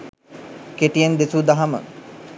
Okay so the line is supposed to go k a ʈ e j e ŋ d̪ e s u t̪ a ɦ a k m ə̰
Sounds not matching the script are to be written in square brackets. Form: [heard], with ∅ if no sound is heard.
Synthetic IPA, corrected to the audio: k [e] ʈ [i] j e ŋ d̪ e s u [d̪] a ɦ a [∅] m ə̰